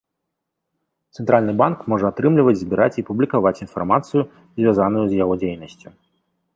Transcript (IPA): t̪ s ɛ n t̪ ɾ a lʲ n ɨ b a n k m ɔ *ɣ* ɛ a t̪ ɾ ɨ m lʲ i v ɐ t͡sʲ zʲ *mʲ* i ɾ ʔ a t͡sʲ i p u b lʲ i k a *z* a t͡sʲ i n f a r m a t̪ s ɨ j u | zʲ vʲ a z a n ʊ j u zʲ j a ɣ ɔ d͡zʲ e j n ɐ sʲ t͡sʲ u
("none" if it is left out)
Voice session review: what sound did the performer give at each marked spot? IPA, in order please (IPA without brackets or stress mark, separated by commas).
ʐ, bʲ, v